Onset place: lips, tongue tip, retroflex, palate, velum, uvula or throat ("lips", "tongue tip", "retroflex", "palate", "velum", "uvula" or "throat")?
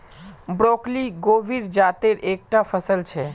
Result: lips